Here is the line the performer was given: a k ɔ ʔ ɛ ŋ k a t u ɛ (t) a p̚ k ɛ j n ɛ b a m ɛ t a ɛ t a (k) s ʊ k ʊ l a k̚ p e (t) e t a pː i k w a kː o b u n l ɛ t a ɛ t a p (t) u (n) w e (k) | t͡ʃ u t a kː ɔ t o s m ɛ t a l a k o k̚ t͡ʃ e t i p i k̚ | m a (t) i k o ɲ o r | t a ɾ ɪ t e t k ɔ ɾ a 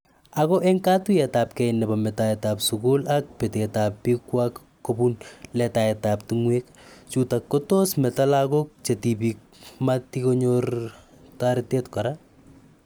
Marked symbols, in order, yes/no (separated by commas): yes, no, yes, yes, no, yes, yes